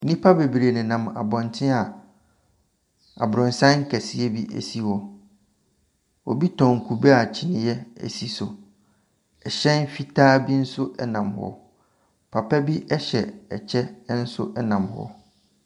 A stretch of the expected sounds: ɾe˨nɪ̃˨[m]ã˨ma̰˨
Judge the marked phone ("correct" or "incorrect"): incorrect